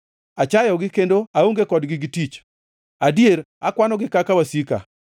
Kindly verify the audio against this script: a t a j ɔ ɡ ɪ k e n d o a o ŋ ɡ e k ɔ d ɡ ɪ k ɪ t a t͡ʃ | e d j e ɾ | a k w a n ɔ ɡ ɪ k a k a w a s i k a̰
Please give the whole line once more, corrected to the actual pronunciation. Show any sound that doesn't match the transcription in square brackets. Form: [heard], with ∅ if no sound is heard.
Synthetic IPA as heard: a [t͡ʃ] a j ɔ ɡ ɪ k e n d o a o ŋ ɡ e k ɔ d ɡ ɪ [ɡ] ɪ t [i] t͡ʃ | [a] d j e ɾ | a k w a n ɔ ɡ ɪ k a k a w a s i k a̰